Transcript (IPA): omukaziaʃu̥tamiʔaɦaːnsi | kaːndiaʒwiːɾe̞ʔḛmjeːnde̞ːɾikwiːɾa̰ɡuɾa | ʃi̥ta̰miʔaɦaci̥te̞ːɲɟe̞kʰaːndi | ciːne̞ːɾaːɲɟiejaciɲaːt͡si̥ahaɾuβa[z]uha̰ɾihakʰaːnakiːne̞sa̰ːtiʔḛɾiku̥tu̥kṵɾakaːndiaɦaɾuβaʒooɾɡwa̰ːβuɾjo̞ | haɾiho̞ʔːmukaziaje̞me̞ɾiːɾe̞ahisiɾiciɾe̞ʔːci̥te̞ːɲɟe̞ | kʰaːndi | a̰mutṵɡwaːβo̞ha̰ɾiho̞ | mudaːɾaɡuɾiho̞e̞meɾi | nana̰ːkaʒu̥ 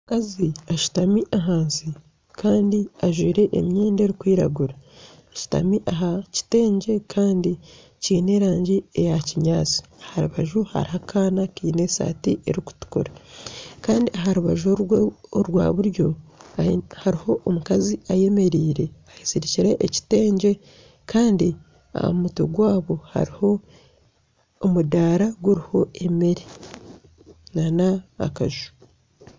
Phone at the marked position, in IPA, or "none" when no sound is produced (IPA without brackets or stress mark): ʒ